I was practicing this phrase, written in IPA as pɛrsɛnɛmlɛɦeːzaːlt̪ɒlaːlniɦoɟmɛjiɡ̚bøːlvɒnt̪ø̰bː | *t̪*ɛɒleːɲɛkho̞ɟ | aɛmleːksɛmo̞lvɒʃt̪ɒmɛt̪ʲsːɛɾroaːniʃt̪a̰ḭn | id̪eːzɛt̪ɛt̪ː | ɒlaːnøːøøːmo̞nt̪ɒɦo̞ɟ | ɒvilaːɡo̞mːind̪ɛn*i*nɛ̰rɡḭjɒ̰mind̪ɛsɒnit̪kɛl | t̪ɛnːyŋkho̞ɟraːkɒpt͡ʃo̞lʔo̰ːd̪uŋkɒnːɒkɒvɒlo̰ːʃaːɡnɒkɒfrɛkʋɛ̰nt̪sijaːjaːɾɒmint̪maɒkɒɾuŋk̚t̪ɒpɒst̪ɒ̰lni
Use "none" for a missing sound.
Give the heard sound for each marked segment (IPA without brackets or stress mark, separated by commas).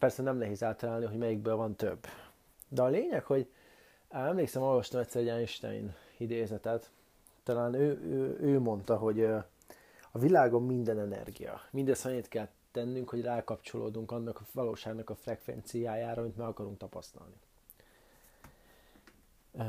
d̪, ɛ